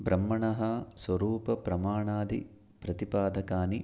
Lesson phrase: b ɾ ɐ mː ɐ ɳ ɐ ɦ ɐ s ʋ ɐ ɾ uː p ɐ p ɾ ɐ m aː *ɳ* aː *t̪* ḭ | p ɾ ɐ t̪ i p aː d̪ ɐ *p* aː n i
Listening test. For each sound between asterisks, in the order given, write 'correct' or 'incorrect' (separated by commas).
correct, incorrect, incorrect